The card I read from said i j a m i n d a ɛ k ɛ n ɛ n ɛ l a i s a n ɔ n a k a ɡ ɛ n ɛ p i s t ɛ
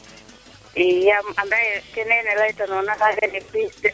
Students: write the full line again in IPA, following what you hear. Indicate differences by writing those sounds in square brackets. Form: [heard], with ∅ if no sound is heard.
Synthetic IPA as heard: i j a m [a] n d a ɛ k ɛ n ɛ n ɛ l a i [t] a n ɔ n a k a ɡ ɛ n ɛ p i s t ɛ